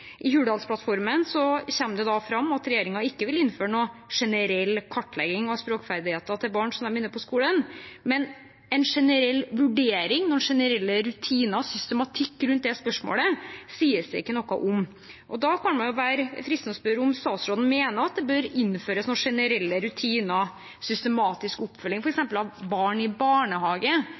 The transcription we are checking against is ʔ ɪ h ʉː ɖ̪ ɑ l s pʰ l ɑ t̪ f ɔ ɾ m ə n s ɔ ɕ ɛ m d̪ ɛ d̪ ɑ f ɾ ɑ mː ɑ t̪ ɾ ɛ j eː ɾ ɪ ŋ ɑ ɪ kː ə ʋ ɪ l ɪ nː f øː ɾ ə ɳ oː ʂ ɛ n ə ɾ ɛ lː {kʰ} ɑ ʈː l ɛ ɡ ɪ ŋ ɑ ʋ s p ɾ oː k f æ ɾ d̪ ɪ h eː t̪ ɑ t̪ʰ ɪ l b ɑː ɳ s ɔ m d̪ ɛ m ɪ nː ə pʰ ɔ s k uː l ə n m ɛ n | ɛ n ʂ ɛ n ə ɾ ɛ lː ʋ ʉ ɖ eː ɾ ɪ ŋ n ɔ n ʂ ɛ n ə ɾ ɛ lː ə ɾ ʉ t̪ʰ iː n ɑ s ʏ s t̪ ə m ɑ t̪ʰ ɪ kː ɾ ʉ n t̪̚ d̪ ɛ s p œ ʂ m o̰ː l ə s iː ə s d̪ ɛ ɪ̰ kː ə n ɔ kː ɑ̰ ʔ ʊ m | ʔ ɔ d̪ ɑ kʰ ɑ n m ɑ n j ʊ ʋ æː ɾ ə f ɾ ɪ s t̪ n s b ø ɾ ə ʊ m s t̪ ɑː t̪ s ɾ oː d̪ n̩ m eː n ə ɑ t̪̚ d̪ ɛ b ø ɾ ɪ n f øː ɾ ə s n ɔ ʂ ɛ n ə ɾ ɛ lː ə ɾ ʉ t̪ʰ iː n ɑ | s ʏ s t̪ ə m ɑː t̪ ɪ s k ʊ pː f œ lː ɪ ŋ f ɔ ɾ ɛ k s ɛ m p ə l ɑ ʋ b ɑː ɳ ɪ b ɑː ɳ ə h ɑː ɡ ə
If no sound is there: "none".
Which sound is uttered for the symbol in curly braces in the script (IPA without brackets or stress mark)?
kʰ